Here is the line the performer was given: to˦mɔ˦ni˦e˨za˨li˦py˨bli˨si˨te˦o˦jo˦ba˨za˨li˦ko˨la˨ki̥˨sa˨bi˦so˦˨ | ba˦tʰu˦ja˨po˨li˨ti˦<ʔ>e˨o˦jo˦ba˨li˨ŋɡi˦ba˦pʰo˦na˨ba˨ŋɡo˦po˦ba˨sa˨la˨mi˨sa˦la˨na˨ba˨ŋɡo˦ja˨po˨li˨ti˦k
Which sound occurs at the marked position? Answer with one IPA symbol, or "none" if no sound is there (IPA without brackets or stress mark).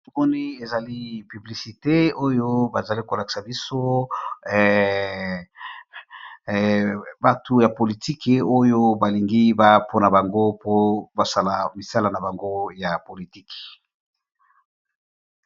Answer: k